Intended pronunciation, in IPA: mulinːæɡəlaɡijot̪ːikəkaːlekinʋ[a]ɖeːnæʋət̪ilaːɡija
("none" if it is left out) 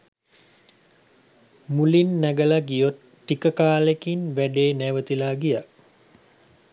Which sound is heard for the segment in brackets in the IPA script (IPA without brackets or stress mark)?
æ